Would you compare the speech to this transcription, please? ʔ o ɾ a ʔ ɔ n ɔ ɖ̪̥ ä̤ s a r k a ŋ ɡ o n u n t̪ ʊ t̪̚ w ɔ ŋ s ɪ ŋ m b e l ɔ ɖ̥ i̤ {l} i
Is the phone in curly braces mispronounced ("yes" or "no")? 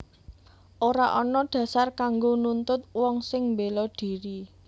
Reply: yes